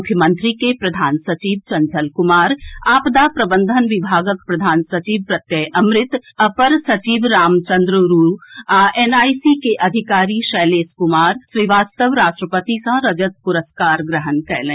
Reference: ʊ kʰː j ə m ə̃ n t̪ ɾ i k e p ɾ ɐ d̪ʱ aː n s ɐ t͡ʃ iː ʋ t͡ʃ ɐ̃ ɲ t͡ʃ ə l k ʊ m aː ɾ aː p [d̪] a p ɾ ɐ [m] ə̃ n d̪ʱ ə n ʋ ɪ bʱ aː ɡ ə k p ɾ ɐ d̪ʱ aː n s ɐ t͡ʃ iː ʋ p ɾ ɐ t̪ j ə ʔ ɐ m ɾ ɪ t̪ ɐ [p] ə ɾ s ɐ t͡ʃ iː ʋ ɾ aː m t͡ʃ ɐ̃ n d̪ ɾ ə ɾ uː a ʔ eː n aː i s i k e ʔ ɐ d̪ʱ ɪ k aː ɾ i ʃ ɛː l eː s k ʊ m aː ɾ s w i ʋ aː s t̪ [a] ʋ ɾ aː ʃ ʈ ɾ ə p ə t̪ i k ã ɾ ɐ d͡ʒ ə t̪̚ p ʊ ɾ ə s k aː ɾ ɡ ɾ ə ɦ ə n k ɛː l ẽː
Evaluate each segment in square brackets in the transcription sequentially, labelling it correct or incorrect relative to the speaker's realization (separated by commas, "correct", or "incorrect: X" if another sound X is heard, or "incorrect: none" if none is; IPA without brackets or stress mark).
correct, incorrect: b, correct, incorrect: ə